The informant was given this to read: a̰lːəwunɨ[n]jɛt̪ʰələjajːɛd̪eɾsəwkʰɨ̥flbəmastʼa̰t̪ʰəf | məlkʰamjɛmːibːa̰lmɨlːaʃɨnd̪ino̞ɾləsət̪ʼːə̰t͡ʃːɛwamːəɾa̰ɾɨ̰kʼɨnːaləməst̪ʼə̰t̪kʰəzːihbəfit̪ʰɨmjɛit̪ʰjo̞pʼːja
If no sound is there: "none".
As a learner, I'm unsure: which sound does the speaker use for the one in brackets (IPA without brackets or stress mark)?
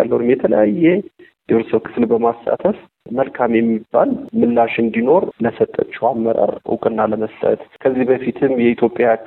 m